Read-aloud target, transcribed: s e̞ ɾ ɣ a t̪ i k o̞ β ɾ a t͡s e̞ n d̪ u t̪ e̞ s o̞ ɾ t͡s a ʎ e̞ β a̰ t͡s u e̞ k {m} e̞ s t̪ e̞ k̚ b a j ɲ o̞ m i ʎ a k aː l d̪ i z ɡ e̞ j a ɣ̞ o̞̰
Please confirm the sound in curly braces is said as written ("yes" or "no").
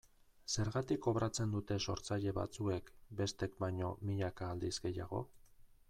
no